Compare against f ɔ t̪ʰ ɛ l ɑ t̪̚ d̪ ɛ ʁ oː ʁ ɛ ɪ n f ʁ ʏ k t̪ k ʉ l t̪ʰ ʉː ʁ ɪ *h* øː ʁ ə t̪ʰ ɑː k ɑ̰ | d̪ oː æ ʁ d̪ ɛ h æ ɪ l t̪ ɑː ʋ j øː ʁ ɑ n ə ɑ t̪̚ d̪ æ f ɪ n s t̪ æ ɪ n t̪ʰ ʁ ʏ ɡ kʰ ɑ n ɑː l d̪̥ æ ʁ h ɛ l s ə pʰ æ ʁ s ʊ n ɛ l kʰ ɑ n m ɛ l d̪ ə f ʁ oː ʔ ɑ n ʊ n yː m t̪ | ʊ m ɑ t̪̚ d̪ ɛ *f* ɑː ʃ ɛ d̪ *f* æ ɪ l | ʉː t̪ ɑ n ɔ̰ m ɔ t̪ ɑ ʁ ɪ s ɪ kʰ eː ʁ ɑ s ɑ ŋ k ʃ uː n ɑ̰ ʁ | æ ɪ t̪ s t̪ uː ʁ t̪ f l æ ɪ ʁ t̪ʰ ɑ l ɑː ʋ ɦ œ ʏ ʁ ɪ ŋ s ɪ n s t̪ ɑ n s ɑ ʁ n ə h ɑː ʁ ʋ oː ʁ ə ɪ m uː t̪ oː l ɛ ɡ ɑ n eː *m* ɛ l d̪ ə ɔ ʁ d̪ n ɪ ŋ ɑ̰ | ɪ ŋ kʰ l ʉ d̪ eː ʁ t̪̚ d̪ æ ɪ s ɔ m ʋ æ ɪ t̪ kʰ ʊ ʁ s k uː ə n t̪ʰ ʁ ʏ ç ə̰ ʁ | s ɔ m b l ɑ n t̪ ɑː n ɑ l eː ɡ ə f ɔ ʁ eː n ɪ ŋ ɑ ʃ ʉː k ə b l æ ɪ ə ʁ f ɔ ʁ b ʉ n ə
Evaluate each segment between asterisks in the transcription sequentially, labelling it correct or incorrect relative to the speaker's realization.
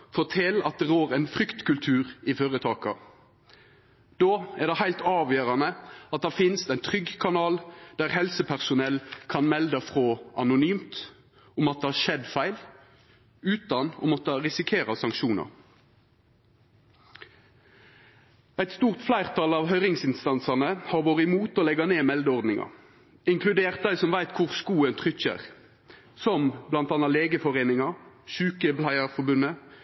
incorrect: f, incorrect: h, correct, correct

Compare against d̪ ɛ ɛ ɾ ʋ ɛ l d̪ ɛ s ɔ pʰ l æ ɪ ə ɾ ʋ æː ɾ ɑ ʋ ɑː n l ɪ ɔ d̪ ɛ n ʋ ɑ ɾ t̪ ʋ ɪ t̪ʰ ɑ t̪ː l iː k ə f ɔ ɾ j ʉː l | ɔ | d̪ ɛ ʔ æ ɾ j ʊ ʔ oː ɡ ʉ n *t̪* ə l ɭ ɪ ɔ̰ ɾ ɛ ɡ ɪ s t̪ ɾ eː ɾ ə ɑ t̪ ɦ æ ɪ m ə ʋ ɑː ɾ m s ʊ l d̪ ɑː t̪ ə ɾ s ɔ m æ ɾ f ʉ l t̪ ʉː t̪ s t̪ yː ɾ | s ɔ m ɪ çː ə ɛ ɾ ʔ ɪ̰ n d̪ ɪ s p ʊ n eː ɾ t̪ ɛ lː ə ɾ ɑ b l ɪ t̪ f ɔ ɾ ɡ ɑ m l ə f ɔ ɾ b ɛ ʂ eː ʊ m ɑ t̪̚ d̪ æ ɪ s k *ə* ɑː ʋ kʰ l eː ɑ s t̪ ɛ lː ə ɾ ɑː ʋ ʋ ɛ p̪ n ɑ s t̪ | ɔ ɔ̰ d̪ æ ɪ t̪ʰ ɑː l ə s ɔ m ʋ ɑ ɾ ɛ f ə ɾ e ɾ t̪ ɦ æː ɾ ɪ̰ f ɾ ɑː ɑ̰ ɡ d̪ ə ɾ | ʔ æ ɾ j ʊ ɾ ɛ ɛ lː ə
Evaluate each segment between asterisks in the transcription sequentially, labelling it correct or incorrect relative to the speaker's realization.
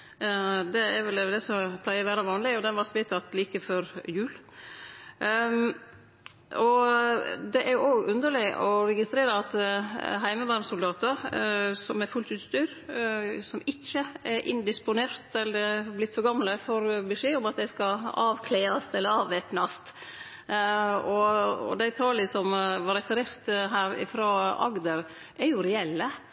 incorrect: d̪, incorrect: ɑ

